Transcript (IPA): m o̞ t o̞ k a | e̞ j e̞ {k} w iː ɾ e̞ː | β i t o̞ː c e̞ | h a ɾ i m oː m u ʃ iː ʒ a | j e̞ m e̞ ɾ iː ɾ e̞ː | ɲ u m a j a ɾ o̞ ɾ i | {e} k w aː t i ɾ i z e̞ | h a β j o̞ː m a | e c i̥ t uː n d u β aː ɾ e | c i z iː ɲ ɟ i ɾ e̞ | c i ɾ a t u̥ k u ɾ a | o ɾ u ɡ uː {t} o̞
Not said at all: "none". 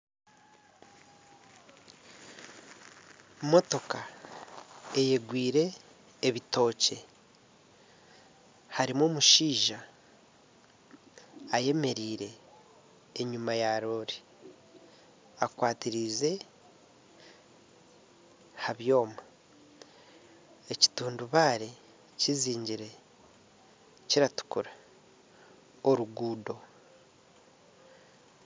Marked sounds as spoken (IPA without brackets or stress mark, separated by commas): ɡ, a, d